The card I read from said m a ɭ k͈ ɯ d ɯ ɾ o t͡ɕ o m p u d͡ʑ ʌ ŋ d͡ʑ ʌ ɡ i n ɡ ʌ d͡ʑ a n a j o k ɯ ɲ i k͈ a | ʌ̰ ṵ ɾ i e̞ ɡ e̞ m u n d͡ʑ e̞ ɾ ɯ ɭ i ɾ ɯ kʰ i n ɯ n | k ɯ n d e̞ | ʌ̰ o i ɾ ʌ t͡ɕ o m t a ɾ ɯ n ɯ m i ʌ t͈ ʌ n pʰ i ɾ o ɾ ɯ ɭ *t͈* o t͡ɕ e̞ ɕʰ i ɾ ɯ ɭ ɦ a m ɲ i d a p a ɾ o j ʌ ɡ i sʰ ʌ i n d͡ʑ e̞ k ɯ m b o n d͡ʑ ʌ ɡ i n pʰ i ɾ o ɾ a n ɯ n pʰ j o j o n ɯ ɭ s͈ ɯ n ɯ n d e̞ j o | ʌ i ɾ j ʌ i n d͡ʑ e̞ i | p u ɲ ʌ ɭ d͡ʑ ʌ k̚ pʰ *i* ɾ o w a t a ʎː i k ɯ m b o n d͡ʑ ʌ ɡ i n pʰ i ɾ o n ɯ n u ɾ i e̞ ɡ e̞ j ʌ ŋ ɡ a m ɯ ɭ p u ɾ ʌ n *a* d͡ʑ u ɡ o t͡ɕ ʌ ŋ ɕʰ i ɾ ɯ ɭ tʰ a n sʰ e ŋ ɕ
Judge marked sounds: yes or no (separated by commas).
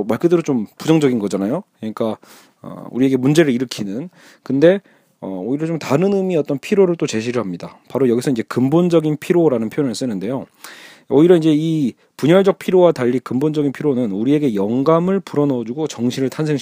yes, yes, no